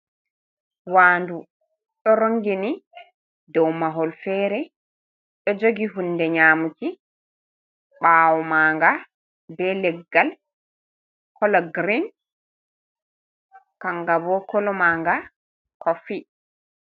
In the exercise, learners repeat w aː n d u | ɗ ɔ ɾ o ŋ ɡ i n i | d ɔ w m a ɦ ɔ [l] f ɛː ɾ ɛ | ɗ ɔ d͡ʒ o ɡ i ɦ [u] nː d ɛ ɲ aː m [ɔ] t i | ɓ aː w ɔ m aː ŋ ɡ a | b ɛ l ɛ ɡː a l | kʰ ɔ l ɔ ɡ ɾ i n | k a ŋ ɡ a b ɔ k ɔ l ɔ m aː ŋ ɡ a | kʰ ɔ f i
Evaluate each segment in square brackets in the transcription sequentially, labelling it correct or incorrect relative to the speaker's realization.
correct, correct, incorrect

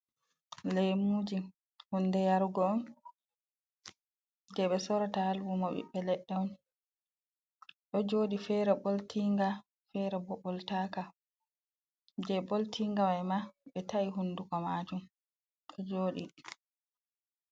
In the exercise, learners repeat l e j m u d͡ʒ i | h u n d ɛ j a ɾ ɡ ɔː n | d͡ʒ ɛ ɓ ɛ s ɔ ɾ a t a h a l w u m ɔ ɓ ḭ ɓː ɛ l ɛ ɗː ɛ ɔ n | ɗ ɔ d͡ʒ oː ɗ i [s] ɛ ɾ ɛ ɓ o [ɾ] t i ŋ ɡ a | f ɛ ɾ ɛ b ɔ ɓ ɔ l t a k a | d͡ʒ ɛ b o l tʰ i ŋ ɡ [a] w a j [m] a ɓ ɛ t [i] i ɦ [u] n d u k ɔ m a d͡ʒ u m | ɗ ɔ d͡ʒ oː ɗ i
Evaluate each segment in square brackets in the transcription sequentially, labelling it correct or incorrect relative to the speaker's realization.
incorrect, incorrect, correct, correct, incorrect, correct

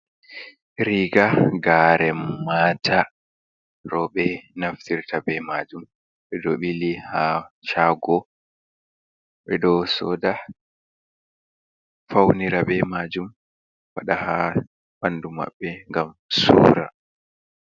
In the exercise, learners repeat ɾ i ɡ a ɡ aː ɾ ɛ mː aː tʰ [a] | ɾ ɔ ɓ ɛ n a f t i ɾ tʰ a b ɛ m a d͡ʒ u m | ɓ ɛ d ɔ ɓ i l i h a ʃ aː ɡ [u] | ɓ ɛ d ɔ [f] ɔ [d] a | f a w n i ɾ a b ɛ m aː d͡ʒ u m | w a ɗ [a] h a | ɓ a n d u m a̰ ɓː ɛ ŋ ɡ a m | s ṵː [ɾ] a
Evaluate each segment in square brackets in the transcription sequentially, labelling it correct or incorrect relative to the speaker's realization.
correct, incorrect, incorrect, correct, correct, correct

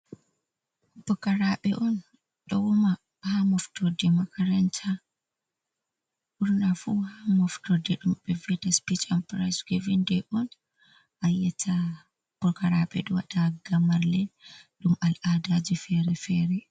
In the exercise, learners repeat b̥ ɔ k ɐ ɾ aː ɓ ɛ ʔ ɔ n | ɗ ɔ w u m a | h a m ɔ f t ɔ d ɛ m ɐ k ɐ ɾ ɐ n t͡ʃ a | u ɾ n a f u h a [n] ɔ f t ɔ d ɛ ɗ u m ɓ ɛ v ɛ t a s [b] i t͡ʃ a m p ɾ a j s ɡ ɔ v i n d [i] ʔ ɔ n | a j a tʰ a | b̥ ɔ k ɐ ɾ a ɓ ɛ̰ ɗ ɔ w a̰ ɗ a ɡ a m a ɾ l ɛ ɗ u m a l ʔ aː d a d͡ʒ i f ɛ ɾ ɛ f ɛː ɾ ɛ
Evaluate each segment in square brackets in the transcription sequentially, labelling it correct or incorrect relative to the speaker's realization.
incorrect, incorrect, incorrect

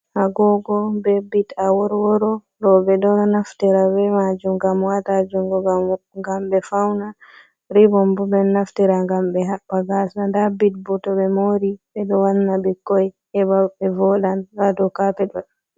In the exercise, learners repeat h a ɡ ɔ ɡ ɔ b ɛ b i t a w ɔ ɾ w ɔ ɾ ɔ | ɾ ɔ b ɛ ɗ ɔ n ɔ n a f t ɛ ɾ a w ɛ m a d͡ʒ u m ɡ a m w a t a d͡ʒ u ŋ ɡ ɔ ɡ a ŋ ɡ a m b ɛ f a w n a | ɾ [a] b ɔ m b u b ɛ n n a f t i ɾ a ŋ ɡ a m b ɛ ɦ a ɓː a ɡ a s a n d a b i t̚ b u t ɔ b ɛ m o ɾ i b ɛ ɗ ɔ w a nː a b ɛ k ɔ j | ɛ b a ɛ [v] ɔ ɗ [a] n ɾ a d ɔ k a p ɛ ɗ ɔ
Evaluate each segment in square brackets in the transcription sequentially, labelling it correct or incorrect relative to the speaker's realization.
incorrect, correct, correct

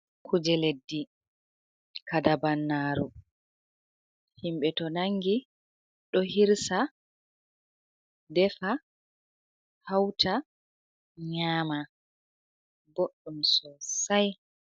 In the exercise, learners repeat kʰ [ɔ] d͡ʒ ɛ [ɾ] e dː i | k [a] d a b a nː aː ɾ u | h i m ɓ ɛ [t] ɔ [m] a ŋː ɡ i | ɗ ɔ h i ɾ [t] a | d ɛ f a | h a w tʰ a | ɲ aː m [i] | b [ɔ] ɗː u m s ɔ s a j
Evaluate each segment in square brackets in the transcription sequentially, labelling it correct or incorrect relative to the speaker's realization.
incorrect, incorrect, correct, correct, incorrect, incorrect, incorrect, incorrect

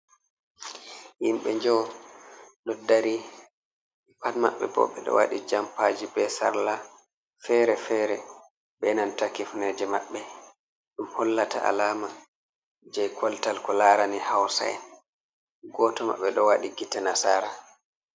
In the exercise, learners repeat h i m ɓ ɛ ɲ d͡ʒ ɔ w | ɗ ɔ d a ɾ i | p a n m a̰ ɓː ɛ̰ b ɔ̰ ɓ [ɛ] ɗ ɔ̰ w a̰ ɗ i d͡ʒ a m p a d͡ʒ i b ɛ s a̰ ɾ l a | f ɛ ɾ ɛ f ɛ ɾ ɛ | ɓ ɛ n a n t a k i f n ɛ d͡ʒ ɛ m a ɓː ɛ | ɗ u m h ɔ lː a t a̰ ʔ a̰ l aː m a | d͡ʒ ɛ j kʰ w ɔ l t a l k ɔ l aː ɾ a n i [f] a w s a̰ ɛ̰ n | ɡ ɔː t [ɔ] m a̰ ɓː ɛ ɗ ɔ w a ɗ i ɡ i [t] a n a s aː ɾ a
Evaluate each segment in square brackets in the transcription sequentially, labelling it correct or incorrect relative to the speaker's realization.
correct, incorrect, correct, correct

